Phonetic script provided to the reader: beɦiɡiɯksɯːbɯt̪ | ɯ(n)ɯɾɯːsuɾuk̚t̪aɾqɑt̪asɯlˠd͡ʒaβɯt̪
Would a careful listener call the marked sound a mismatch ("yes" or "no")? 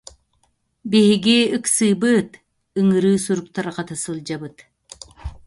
yes